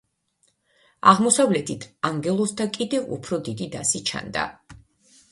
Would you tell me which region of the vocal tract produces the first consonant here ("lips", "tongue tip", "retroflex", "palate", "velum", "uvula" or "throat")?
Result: uvula